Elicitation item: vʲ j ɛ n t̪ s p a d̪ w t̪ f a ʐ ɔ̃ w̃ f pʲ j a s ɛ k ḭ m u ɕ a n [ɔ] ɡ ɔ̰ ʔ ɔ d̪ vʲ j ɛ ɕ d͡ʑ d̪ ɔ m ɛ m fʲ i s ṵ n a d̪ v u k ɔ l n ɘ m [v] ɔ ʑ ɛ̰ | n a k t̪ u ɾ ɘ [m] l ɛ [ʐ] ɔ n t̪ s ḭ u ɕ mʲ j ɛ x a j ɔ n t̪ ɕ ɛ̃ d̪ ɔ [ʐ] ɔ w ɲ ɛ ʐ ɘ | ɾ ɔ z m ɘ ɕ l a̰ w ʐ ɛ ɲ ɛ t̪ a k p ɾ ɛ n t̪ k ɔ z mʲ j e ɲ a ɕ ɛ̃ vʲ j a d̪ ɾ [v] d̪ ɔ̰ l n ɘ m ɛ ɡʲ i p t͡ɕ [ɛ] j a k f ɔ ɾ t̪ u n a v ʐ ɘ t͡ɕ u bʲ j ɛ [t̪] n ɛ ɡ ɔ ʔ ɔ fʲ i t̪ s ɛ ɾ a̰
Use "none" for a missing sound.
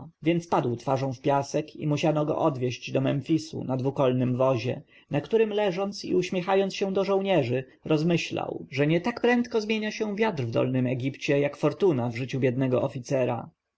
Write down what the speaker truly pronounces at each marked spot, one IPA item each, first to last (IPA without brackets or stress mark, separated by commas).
ɔ, v, m, ʐ, ʐ, v, ɛ, d̪